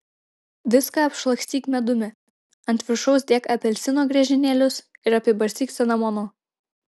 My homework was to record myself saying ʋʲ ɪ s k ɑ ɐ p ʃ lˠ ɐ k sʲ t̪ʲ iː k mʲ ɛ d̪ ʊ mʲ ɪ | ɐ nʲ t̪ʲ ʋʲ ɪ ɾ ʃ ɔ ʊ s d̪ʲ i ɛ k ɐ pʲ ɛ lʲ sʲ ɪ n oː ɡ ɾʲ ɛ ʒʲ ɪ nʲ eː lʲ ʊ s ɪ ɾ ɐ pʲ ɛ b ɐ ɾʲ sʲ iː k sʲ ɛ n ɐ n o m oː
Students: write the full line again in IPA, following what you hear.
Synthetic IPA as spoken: ʋʲ ɪ s k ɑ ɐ p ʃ lˠ ɐ k sʲ t̪ʲ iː k mʲ ɛ d̪ ʊ mʲ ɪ | ɐ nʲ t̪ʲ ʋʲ ɪ ɾ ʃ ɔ ʊ s d̪ʲ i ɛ k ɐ pʲ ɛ lʲ sʲ ɪ n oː ɡ ɾʲ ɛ ʒʲ ɪ nʲ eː lʲ ʊ s ɪ ɾ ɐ pʲ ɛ b ɐ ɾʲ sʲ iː k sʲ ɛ n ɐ m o n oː